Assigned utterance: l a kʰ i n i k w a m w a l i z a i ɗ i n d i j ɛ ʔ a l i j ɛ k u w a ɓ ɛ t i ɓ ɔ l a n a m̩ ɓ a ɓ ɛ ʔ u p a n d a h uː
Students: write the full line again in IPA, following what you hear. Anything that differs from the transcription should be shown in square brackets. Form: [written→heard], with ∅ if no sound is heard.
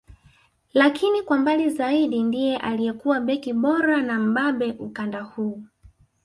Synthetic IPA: l a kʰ i n i k w a m [w→b] a l i z a i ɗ i n d i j ɛ ʔ a l i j ɛ k u w a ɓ ɛ [t→k] i ɓ ɔ [l→ɾ] a n a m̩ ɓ a ɓ ɛ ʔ u [p→k] a n d a h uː

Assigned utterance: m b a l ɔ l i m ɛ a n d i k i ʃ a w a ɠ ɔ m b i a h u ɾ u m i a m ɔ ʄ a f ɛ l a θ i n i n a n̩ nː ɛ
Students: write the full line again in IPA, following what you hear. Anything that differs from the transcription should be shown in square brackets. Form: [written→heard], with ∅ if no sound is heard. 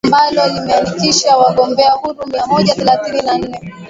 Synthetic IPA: m b a l ɔ l i m ɛ a n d i k i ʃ a w a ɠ ɔ m b [i→ɛ] a h u ɾ u m i a m ɔ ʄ a [f→θ] ɛ l a θ i n i n a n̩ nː ɛ

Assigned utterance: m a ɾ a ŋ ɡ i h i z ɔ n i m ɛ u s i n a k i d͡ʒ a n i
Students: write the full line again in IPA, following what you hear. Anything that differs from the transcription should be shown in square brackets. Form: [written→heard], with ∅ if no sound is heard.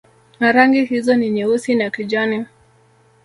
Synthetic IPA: [m→n] a ɾ a ŋ ɡ i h i z ɔ n i [m→ɲ] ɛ u s i n a k i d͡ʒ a n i

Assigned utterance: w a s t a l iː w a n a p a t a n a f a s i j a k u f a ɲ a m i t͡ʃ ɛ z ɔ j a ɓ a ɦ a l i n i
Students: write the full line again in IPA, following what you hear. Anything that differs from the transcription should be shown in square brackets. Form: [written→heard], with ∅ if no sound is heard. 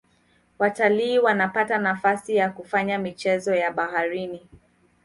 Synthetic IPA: w a [s→∅] t a l iː w a n a p a t a n a f a s i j a k u f a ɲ a m i t͡ʃ ɛ z ɔ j a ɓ a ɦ a [l→ɾ] i n i

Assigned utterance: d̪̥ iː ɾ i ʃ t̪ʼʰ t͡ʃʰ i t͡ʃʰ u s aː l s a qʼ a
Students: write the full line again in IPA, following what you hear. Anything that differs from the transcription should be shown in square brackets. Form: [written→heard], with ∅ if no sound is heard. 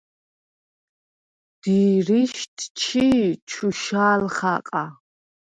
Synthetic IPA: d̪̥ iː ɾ i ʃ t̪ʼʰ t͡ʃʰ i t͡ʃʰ u [s→ʃ] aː l [s→χ] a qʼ a

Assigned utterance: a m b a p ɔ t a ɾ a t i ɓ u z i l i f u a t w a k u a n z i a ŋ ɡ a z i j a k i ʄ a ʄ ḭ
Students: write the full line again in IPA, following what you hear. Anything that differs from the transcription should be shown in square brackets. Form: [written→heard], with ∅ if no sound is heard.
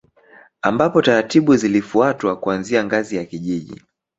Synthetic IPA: a m b a p ɔ t a ɾ a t i ɓ u z i l i f u a t w a k u a n z i a ŋ ɡ a z i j a k i ʄ [a→i] ʄ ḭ

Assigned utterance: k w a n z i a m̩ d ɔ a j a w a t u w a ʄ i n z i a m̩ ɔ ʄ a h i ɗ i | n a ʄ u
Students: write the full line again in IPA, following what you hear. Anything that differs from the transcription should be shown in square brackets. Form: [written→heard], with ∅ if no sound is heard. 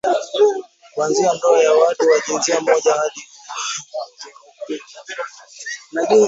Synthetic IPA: k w a n z i a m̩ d ɔ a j a w a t u w a ʄ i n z i a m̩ ɔ ʄ a h [i→a] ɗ i | n a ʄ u

